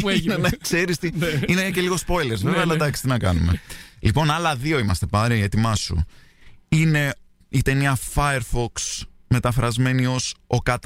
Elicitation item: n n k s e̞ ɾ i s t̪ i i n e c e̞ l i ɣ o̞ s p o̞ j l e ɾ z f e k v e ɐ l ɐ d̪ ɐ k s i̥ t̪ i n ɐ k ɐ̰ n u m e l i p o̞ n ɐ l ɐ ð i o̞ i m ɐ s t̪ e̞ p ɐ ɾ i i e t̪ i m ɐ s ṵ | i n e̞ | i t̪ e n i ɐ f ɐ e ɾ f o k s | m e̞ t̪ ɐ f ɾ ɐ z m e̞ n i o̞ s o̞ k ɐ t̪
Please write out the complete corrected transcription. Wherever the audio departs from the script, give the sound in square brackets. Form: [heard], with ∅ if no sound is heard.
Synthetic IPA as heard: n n k s e̞ ɾ i s t̪ i i n e c e̞ l i ɣ o̞ s p o̞ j l e ɾ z [v] e [∅] v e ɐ l ɐ d̪ ɐ k s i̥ t̪ i n ɐ k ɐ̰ n u m e l i p o̞ n ɐ l ɐ ð i o̞ i m ɐ s t̪ e̞ p ɐ ɾ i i e t̪ i m ɐ s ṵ | i n e̞ | i t̪ e n i ɐ f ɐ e ɾ f o k s | m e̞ t̪ ɐ f ɾ ɐ z m e̞ n i o̞ s o̞ k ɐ t̪